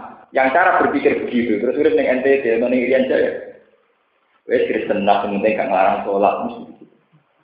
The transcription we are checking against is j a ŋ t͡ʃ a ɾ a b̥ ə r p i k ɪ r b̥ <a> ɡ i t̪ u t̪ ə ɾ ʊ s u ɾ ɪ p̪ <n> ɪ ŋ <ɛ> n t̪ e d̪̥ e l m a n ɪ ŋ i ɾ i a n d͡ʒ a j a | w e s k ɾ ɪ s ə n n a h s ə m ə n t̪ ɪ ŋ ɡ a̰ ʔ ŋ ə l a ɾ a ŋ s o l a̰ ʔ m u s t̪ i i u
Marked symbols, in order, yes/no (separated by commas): no, yes, yes